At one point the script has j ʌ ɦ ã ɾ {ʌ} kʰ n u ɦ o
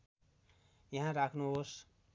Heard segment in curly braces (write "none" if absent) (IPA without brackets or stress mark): a